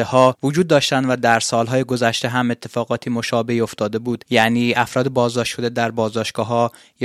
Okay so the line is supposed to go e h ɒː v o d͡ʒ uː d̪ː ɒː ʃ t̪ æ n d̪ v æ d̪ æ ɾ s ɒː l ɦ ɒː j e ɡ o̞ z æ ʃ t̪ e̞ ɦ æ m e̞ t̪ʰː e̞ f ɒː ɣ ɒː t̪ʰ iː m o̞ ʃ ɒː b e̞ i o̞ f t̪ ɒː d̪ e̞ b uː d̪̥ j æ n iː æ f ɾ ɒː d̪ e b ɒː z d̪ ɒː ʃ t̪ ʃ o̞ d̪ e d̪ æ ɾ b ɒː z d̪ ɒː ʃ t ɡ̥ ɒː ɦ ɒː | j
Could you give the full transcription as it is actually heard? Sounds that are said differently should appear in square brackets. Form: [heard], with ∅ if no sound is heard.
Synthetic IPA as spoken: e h ɒː v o d͡ʒ uː d̪ː ɒː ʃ t̪ æ n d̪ v æ d̪ æ ɾ s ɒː l ɦ ɒː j e ɡ o̞ z æ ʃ t̪ e̞ ɦ æ m e̞ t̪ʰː e̞ f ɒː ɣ ɒː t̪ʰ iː m o̞ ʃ ɒː b e̞ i o̞ f t̪ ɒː d̪ e̞ b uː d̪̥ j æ n iː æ f ɾ ɒː d̪ e b ɒː z d̪ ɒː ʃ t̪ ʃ o̞ d̪ e d̪ æ ɾ b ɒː z d̪ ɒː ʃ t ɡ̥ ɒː ɦ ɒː | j